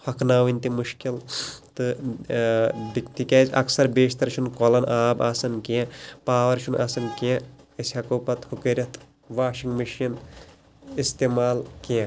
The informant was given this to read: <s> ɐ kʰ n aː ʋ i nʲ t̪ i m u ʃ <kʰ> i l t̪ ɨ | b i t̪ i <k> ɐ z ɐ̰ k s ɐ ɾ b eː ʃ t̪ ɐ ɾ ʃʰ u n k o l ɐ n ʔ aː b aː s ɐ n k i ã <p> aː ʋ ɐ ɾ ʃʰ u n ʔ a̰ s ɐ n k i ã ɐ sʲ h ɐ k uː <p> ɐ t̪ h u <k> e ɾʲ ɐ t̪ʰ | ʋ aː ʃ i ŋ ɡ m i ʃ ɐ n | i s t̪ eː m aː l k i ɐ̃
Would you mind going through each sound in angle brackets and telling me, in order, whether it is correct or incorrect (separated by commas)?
incorrect, incorrect, correct, correct, correct, correct